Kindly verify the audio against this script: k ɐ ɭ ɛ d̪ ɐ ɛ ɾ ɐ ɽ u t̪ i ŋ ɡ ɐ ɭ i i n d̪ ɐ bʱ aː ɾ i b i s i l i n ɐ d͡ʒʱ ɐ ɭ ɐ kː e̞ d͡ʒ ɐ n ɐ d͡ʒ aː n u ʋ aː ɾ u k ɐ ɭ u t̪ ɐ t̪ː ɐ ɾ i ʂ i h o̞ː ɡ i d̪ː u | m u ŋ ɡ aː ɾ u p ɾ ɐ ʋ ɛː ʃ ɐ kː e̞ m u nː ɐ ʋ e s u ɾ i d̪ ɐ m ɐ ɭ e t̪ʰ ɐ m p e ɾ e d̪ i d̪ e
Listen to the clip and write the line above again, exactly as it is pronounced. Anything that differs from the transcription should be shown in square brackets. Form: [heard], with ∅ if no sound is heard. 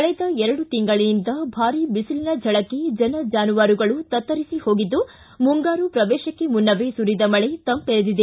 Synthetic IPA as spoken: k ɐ ɭ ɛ d̪ ɐ ɛ ɾ ɐ ɽ u t̪ i ŋ ɡ ɐ ɭ i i n d̪ ɐ bʱ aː ɾ i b i s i l i n ɐ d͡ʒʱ ɐ ɭ ɐ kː e̞ d͡ʒ ɐ n ɐ d͡ʒ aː n u ʋ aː ɾ u [ɡ] ɐ ɭ u t̪ ɐ t̪ː ɐ ɾ i [s] i h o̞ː ɡ i d̪ː u | m u ŋ ɡ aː ɾ u p ɾ ɐ ʋ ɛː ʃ ɐ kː e̞ m u nː ɐ ʋ e s u ɾ i d̪ ɐ m ɐ ɭ e [t̪] ɐ m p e ɾ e d̪ i d̪ e